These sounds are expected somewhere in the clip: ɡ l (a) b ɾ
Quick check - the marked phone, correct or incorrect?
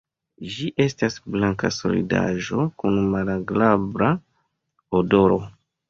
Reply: correct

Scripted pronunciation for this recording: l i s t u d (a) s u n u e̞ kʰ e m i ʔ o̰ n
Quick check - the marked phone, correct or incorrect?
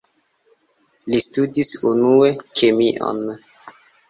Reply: incorrect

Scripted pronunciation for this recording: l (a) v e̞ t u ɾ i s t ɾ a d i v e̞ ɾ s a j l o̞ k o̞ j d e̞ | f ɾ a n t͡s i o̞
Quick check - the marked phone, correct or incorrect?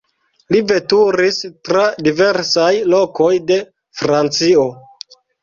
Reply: incorrect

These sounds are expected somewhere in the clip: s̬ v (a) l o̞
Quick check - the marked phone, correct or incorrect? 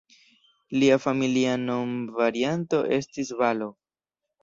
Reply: correct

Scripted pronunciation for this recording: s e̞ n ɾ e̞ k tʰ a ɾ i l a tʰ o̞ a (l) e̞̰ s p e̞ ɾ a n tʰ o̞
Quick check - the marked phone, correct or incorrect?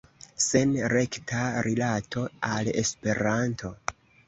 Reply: correct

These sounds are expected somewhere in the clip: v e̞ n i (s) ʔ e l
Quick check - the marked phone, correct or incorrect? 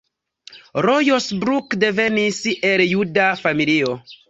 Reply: correct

